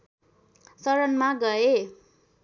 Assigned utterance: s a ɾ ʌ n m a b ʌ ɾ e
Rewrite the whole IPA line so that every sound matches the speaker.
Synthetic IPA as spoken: s ʌ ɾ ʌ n m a ɡ ʌ e